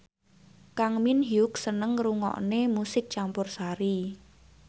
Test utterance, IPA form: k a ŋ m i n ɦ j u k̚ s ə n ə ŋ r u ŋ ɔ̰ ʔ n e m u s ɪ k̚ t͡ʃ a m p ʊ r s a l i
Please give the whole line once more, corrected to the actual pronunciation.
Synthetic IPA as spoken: k a ŋ m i n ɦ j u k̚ s ə n ə ŋ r u ŋ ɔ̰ ʔ n e m u s ɪ k̚ t͡ʃ a m p ʊ r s a ɾ i